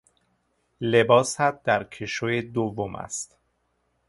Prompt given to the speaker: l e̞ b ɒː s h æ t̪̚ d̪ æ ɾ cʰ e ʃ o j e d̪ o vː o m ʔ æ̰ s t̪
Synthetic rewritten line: l e̞ b ɒː s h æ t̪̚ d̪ æ ɾ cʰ e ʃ o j e d̪ o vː o m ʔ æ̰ s t̪